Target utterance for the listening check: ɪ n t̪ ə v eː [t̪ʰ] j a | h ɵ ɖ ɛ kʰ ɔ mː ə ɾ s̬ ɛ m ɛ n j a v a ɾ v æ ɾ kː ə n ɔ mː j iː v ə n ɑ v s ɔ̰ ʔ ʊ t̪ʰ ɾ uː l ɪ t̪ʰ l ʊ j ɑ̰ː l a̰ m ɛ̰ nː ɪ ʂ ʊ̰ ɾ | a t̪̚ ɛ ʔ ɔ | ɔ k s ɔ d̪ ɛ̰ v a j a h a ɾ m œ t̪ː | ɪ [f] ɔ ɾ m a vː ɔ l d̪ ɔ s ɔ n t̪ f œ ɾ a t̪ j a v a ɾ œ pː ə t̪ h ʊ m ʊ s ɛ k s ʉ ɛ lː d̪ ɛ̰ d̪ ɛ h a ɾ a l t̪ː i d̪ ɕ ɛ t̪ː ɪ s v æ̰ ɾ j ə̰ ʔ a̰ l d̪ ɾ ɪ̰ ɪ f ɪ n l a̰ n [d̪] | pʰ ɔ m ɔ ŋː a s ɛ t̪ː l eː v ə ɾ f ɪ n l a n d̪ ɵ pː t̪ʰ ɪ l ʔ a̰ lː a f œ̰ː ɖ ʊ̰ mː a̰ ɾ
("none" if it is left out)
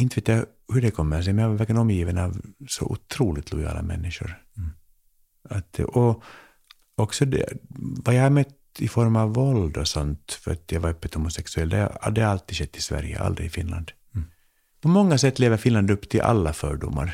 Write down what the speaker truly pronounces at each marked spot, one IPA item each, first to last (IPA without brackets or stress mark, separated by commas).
t̪, f, d̪